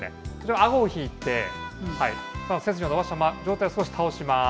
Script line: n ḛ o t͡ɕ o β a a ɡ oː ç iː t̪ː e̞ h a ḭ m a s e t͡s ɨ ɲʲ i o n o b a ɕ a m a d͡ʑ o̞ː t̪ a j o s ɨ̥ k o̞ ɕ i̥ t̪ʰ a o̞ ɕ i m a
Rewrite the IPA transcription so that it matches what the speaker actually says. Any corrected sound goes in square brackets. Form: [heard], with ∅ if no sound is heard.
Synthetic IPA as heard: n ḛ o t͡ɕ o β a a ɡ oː ç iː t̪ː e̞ h a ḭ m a s e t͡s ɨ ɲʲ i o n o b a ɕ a m a d͡ʑ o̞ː t̪ a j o s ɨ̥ k o̞ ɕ i̥ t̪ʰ a o̞ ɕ i m a